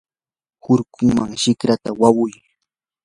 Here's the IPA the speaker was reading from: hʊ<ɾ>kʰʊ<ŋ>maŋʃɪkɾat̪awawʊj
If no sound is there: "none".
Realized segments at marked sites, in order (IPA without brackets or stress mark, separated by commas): ɾ, ŋ